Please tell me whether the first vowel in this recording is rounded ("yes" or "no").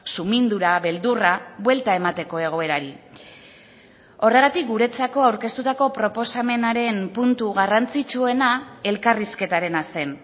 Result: yes